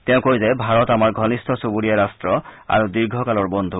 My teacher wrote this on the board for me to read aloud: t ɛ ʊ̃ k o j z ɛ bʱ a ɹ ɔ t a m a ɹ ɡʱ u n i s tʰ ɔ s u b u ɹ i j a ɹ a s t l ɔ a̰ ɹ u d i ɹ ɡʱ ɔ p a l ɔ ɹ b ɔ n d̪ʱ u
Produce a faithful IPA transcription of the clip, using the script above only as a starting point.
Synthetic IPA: t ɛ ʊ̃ k o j z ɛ bʱ a ɹ ɔ t a m a ɹ ɡʱ ɔ n i s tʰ ɔ s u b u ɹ i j a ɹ a s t ɹ ɔ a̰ ɹ u d i ɹ ɡʱ ɔ k a l ɔ ɹ b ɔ n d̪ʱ u